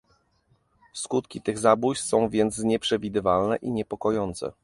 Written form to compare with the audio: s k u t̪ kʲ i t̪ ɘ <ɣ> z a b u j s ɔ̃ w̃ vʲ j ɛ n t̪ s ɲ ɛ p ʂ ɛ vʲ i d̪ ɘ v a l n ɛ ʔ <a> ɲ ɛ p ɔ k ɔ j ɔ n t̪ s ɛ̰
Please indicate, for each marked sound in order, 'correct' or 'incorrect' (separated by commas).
correct, incorrect